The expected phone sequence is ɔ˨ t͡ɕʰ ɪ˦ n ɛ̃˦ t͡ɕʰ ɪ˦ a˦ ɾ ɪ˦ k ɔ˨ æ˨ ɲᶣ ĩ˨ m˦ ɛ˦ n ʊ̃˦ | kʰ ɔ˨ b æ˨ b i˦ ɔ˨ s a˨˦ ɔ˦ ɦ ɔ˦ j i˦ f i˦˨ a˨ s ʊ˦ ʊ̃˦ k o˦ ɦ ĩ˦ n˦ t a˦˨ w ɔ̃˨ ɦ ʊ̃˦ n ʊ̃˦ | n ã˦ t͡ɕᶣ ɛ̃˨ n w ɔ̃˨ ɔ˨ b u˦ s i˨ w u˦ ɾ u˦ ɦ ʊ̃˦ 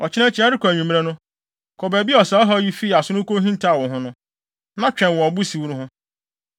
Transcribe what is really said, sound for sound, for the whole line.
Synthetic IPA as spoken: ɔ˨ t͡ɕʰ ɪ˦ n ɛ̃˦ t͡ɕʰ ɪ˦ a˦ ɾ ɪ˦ k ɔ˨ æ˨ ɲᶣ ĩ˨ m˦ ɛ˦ n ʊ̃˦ | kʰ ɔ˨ b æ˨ b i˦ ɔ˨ s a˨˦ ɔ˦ ɦ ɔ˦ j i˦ f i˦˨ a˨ s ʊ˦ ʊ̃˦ k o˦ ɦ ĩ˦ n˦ t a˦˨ w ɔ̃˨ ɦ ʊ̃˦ n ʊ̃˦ | n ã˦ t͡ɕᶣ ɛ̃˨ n w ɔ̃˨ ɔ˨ b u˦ s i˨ w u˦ ɾ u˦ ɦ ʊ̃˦